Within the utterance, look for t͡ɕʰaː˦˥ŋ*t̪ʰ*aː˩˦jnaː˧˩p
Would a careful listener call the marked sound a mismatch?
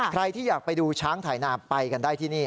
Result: no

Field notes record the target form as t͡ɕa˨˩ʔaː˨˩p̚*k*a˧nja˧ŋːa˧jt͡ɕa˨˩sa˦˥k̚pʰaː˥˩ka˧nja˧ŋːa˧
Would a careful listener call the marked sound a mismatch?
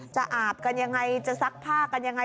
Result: no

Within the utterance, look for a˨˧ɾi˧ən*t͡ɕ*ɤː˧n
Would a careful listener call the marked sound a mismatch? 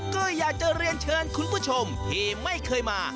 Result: yes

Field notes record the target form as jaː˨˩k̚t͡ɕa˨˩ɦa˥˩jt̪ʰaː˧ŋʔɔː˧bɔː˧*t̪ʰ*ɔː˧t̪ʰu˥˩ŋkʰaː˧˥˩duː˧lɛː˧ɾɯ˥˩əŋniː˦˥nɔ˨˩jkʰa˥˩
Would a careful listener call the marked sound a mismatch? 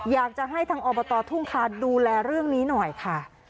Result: yes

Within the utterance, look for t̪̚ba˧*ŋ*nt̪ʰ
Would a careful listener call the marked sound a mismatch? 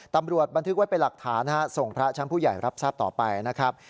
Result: yes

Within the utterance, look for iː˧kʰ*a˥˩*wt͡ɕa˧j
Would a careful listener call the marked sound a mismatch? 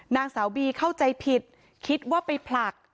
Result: no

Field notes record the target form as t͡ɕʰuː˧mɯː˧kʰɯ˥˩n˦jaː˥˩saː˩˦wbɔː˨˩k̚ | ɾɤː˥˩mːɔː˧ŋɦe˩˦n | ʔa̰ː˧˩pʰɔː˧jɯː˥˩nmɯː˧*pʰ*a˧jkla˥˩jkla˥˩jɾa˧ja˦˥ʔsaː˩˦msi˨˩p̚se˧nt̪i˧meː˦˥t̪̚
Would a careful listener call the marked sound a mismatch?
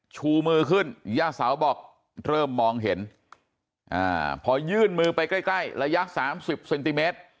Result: yes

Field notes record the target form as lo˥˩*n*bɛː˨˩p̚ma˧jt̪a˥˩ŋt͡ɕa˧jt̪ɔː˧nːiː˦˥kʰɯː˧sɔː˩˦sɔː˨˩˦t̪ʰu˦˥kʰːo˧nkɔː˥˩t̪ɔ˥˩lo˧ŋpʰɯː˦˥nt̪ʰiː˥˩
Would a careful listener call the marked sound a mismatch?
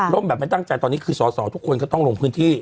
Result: yes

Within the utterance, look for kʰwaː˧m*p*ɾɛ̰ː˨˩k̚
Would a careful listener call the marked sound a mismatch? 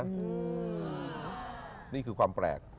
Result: no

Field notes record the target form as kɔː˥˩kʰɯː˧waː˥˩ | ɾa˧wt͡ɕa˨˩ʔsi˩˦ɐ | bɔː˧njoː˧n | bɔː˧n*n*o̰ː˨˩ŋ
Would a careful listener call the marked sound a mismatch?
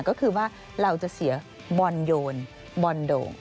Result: yes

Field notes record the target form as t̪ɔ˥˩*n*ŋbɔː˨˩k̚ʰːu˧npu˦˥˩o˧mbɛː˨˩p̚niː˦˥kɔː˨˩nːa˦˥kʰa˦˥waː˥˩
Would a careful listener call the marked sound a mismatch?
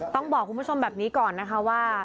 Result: yes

